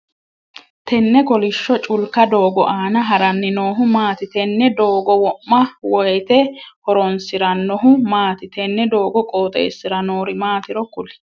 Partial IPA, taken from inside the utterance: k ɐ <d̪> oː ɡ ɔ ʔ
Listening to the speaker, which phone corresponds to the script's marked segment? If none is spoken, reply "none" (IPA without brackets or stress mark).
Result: d̪